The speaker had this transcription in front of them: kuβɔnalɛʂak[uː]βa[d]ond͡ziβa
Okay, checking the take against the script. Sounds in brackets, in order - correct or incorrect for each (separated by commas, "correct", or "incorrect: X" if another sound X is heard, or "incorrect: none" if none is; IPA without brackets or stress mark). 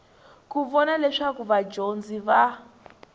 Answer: incorrect: u, incorrect: d͡ʒ